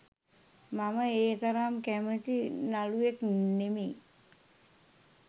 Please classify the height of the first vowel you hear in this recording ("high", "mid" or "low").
low